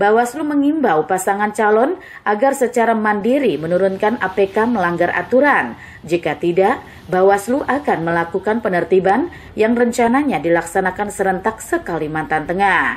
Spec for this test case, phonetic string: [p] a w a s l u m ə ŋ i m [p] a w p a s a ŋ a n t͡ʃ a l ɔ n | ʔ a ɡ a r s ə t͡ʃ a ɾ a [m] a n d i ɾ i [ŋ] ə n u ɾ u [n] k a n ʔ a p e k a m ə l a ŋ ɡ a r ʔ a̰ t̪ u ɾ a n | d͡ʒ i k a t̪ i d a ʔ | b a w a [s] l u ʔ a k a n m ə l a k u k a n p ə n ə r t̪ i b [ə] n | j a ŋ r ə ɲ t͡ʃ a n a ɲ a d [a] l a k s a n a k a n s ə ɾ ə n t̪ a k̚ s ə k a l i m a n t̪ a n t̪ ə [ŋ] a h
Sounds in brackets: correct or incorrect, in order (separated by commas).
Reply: incorrect, incorrect, correct, incorrect, correct, correct, incorrect, incorrect, correct